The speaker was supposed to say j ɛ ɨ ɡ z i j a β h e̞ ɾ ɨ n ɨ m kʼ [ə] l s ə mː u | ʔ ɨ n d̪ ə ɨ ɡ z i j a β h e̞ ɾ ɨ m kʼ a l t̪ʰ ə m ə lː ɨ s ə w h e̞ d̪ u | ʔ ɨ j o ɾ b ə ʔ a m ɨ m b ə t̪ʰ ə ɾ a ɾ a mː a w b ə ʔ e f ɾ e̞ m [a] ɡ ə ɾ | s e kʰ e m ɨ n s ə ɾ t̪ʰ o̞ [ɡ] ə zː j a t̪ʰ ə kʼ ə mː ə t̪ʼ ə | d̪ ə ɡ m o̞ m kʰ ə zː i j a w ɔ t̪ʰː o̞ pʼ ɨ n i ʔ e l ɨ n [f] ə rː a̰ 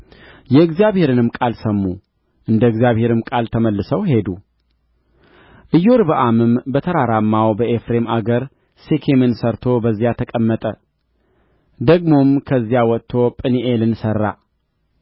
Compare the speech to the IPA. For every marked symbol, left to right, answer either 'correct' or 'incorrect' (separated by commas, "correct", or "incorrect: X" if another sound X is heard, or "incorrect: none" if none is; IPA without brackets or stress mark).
incorrect: a, correct, incorrect: b, incorrect: s